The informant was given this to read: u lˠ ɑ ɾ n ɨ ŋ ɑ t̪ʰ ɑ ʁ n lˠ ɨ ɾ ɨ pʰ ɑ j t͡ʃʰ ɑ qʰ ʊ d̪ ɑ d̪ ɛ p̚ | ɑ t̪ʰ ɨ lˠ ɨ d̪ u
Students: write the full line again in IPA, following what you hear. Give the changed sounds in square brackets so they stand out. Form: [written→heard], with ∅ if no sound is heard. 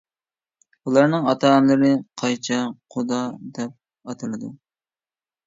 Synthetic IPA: u lˠ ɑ ɾ n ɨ ŋ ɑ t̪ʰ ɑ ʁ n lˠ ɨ ɾ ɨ [pʰ→qʰ] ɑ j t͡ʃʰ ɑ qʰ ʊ d̪ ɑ d̪ ɛ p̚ | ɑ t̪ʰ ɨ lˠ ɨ d̪ u